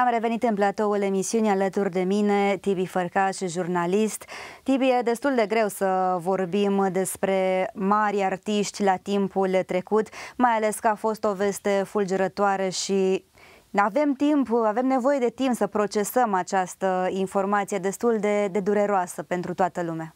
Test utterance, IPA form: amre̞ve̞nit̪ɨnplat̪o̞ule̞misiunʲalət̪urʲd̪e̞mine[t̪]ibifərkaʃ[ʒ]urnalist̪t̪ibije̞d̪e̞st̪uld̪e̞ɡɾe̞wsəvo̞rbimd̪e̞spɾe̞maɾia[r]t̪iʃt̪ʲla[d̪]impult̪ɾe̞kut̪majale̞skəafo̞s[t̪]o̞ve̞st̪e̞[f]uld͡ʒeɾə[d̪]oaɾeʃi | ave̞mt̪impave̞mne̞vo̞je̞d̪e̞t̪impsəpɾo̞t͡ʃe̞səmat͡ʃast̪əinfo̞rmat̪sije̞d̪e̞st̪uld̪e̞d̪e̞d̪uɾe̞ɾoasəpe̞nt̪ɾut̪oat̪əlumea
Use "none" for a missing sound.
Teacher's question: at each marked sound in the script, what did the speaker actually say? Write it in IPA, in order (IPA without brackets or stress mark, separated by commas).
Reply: t̪, ʒ, r, t̪, t̪, f, t̪